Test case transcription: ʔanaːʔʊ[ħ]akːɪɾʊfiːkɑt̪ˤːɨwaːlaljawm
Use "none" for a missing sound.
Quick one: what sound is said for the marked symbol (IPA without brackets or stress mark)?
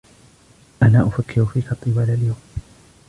f